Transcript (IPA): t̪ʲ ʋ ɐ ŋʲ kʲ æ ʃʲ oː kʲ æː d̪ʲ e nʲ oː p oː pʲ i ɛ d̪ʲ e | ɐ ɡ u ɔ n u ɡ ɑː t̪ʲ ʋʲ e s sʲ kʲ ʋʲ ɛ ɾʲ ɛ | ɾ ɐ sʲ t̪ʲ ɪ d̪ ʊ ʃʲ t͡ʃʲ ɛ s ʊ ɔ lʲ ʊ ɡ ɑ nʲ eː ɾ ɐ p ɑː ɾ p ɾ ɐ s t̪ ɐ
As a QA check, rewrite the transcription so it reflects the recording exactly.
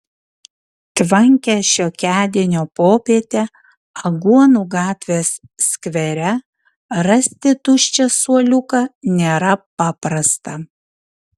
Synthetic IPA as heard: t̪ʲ ʋ ɐ ŋʲ kʲ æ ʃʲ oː kʲ æː d̪ʲ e nʲ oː p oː pʲ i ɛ t̪ʲ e | ɐ ɡ u ɔ n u ɡ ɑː t̪ʲ ʋʲ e s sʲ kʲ ʋʲ ɛ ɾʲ ɛ | ɾ ɐ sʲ t̪ʲ ɪ t̪ ʊ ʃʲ t͡ʃʲ ɛ s u ɔ lʲ ʊ k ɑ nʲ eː ɾ ɐ p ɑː p ɾ ɐ s t̪ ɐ